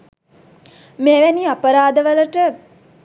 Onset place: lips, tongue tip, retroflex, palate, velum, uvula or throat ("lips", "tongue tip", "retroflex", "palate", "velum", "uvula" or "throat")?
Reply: lips